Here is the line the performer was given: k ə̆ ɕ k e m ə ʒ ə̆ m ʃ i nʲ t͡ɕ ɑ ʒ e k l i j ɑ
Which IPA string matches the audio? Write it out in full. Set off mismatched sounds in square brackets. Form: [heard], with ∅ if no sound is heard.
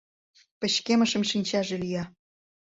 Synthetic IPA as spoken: [p] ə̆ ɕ k e m ə [ʃ] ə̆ m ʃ i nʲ t͡ɕ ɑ ʒ e [∅] l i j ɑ